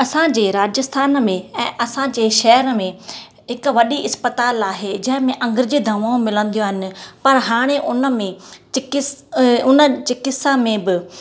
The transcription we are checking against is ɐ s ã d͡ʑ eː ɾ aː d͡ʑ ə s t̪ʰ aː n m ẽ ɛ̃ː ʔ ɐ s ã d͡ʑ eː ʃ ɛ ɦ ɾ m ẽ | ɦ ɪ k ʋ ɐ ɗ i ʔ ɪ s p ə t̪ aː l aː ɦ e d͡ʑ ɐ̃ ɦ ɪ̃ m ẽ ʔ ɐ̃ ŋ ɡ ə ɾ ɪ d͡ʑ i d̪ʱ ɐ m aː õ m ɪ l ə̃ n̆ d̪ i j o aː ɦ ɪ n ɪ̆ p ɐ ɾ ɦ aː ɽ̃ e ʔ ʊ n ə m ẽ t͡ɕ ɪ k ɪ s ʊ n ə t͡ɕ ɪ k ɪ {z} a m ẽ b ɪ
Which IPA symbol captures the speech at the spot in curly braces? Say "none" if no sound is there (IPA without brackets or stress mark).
s